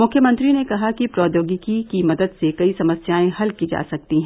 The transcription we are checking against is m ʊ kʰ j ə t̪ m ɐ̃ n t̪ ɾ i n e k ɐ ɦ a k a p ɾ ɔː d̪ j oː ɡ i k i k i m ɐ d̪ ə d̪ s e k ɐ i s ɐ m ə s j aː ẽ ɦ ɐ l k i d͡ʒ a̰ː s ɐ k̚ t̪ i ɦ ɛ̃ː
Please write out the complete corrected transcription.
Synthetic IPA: m ʊ kʰ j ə m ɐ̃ n t̪ ɾ i n e k ɐ ɦ a k i p ɾ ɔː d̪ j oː ɡ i k i k i m ɐ d̪ ə d̪ s e k ɐ i s ɐ m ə s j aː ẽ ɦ ɐ l k i d͡ʒ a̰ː s ɐ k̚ t̪ i ɦ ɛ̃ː